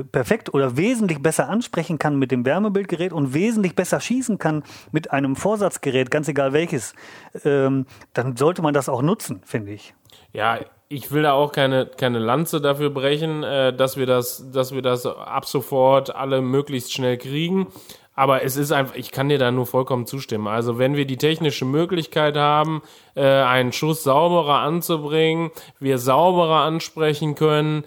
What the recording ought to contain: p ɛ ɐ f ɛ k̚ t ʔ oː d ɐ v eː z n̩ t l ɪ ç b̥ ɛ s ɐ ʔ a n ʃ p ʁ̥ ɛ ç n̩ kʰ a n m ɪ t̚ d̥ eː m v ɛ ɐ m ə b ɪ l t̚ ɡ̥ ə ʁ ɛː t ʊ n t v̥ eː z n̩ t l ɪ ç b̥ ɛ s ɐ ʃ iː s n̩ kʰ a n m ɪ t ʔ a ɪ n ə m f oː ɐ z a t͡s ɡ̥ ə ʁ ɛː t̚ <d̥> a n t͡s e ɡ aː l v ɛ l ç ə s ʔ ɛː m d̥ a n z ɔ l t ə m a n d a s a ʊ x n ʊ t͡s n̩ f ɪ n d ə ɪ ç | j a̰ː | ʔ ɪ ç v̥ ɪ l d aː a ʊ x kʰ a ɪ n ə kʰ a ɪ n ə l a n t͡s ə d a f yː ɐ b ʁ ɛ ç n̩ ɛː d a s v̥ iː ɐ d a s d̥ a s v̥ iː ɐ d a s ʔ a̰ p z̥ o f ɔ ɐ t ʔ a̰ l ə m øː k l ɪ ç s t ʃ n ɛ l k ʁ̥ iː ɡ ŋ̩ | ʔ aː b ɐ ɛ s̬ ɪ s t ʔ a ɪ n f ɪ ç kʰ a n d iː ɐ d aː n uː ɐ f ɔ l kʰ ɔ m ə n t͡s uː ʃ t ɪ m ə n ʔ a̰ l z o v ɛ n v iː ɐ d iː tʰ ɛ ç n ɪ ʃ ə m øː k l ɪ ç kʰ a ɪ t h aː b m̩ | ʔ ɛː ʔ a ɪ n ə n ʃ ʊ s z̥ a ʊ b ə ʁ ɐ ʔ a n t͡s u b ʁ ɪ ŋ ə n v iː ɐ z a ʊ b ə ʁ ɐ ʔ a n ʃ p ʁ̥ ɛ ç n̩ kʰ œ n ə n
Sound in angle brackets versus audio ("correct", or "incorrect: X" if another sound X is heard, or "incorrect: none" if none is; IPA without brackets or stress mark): incorrect: ɡ̥